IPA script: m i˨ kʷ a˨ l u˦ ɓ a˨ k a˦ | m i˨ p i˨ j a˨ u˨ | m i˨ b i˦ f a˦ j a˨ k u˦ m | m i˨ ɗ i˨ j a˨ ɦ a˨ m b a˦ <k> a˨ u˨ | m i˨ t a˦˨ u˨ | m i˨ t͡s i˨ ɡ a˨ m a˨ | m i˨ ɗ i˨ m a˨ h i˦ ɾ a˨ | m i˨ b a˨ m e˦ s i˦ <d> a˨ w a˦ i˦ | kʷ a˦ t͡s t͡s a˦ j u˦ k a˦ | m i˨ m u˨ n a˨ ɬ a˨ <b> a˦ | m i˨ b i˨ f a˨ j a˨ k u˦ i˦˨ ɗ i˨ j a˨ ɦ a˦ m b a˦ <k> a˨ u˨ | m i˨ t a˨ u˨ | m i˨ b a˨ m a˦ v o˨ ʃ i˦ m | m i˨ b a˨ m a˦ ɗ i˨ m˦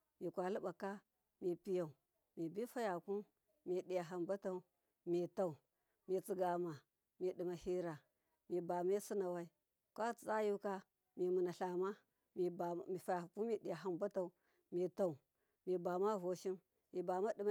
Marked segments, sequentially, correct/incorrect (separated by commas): incorrect, incorrect, incorrect, incorrect